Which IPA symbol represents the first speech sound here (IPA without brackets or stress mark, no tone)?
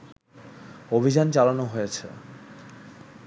o